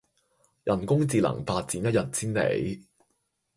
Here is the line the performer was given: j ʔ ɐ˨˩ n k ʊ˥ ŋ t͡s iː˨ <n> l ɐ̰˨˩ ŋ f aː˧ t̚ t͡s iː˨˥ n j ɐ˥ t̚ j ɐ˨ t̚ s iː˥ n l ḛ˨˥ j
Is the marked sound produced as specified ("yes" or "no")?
no